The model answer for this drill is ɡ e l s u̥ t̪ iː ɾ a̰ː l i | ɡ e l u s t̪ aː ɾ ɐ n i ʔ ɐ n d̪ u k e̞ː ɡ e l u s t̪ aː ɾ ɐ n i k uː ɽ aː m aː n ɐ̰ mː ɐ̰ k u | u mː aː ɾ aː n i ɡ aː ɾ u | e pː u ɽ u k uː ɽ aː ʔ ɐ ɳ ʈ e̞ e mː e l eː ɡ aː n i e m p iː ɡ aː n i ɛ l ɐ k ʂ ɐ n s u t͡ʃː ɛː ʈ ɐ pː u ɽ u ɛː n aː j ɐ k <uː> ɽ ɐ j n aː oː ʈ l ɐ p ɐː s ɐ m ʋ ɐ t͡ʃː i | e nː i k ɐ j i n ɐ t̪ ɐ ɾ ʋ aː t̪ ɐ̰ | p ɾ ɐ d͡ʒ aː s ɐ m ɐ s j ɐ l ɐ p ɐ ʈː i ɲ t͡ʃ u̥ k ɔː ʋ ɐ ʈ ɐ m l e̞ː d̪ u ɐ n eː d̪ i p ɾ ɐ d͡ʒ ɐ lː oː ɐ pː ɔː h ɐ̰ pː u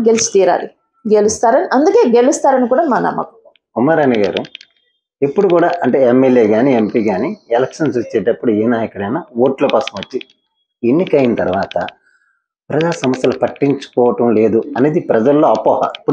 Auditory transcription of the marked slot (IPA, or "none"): u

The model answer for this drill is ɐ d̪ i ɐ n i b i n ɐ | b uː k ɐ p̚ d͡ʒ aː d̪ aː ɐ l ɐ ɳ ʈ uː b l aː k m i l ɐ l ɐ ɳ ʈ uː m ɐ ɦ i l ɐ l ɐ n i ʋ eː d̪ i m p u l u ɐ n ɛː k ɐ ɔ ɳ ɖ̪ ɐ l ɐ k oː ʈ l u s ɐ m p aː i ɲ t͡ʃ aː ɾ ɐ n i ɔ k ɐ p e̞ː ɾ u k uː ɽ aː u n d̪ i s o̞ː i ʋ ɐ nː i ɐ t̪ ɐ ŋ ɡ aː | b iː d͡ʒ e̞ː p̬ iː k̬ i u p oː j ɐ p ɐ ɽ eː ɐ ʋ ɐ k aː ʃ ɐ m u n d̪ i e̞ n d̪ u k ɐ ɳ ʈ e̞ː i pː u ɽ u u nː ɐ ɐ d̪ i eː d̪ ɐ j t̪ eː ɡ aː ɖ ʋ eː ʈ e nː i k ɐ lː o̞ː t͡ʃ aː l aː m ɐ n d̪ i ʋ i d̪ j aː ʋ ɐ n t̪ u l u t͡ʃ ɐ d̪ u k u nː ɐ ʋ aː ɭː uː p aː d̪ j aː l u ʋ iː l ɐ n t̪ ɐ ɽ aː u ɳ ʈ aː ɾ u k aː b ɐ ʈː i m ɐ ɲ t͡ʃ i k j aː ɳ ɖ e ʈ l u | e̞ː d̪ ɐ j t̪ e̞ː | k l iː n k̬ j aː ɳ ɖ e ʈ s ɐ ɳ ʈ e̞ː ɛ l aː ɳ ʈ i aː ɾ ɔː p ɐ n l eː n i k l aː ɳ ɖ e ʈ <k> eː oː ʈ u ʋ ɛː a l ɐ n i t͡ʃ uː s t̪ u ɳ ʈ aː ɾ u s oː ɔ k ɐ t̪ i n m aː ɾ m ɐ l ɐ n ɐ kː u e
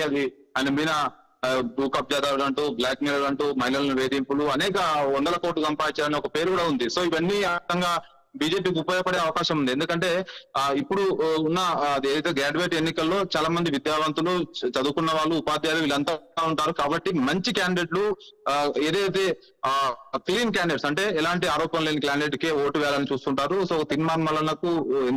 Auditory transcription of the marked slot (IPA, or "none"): k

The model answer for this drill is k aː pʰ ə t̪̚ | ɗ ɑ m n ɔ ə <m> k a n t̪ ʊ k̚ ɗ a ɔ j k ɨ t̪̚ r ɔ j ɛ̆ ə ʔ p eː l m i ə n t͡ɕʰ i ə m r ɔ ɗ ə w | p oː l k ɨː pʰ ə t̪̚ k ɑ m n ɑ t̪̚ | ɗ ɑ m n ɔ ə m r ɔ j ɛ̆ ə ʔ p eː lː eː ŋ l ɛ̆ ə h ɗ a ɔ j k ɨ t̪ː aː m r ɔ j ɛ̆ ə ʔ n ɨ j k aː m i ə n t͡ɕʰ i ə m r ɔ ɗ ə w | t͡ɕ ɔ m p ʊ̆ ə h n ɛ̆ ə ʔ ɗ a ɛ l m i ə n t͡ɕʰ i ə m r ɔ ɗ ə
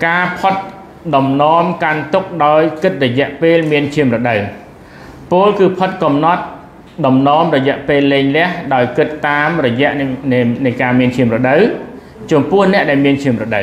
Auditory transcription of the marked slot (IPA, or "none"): m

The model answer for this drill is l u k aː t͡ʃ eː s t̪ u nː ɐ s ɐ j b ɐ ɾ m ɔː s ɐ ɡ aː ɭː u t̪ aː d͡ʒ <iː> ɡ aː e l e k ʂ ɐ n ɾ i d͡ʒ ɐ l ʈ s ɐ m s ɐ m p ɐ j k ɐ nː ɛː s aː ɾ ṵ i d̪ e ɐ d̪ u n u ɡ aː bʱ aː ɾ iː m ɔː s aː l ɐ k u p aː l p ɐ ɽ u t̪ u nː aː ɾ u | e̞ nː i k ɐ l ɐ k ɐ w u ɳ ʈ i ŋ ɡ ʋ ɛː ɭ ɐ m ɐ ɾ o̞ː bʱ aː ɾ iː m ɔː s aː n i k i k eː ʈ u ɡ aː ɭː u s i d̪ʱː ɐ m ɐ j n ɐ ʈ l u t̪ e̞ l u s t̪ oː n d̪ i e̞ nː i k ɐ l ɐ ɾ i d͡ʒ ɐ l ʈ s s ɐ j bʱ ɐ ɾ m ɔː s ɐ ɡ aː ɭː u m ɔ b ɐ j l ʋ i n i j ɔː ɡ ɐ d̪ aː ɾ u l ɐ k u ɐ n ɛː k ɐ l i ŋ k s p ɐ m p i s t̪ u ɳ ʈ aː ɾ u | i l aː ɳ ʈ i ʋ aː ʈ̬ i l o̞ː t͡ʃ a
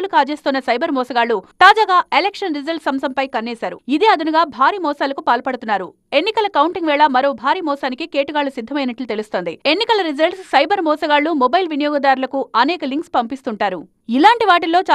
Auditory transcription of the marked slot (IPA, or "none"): aː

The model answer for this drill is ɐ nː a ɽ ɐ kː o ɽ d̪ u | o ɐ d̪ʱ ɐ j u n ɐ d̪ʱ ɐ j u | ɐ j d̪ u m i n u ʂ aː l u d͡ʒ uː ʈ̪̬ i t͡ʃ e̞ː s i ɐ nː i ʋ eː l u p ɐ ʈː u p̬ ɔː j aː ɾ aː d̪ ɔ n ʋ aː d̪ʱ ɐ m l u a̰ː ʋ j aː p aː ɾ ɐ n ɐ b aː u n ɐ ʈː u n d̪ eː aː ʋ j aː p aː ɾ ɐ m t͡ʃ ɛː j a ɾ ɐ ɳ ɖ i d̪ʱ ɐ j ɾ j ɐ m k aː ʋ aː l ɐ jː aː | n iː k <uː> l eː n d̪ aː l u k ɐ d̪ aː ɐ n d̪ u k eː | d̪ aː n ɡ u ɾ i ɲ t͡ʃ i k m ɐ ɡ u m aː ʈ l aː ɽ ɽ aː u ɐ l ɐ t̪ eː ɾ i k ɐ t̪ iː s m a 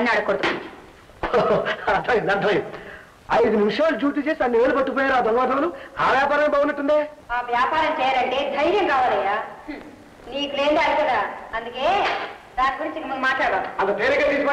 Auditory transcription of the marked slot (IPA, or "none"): u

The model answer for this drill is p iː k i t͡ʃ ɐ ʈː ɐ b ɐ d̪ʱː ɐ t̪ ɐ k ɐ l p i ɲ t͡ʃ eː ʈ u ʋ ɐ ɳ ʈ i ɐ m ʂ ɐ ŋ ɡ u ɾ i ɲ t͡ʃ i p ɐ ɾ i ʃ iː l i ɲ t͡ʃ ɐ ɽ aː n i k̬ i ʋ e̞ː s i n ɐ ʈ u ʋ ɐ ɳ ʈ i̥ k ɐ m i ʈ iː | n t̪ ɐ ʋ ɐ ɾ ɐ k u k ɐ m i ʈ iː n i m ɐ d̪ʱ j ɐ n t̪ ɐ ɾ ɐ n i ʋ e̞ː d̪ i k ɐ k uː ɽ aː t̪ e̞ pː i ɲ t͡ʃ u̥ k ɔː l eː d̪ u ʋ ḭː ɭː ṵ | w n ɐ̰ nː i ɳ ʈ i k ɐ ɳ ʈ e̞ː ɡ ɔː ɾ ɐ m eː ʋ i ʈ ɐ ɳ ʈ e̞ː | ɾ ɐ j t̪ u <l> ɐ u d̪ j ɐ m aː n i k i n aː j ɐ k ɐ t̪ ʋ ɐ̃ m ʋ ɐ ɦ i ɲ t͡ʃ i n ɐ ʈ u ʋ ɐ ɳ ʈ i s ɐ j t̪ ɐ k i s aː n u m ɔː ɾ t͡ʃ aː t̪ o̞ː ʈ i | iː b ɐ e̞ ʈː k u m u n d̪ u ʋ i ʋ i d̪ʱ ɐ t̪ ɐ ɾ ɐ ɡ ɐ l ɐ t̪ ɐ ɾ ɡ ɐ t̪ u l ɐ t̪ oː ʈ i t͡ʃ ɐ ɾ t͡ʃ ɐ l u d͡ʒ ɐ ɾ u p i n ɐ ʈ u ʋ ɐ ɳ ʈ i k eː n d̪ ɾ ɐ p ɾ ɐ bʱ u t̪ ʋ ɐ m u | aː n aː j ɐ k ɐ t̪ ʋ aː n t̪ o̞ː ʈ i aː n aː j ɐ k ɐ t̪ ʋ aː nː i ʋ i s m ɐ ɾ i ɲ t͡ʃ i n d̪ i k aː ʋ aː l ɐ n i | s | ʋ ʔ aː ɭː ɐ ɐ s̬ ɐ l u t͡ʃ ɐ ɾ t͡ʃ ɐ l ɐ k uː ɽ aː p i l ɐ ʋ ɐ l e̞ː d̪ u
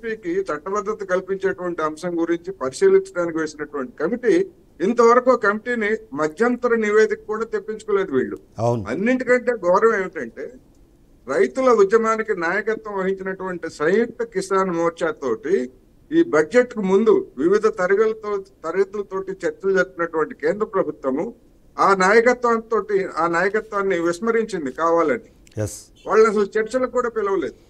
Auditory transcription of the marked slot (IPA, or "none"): l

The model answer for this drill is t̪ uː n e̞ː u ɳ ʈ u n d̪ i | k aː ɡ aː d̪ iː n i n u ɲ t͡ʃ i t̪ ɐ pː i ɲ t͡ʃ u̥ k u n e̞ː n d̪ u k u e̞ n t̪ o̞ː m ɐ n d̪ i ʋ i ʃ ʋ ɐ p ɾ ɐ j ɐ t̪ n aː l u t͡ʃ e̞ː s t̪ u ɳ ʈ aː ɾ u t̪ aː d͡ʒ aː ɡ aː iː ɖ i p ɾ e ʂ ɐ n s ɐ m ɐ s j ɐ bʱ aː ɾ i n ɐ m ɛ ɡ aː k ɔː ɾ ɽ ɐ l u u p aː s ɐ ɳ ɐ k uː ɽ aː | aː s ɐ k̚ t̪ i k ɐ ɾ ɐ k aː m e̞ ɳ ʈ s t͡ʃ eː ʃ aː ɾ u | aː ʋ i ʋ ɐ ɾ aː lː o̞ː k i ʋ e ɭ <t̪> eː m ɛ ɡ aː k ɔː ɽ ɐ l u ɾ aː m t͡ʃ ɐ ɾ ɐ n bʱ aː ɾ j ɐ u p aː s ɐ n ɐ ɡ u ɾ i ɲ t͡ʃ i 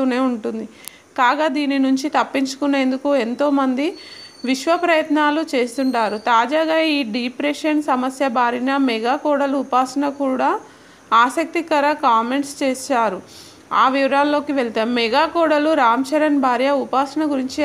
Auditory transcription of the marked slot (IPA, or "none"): t̪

